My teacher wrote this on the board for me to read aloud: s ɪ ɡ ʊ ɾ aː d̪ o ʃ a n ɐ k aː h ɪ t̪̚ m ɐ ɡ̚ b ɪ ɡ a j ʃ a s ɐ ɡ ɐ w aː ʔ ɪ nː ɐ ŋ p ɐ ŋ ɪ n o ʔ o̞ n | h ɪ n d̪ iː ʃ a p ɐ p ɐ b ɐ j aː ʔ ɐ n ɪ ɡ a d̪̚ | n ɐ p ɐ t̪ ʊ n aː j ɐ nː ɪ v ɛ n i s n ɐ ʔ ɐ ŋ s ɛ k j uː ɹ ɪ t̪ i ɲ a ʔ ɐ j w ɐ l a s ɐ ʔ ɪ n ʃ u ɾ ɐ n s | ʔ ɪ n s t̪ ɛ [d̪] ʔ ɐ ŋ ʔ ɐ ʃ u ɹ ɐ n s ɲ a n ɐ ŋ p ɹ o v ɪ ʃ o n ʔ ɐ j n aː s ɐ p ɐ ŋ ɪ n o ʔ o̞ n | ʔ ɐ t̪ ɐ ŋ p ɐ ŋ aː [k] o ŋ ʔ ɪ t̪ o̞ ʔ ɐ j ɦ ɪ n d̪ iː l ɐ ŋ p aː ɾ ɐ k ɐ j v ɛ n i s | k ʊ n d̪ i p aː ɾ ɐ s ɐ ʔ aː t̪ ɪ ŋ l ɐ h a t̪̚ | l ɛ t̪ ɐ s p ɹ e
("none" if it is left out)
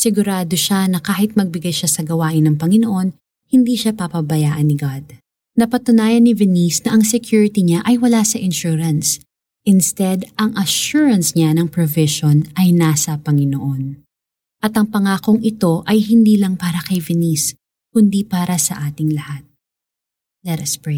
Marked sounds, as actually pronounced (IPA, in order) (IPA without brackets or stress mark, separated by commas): d̪, k